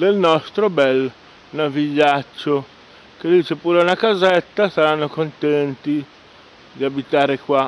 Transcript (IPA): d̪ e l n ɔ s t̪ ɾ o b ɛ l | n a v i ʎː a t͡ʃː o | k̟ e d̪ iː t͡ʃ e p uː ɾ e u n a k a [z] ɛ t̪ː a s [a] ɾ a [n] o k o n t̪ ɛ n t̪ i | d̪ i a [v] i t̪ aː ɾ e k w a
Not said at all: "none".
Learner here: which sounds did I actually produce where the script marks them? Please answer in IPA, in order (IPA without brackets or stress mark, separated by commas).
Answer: z, a, nː, b